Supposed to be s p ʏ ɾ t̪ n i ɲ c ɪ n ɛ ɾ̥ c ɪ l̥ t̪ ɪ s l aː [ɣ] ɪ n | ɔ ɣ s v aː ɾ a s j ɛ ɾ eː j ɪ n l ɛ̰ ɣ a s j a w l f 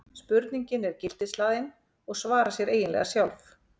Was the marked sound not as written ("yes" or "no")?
yes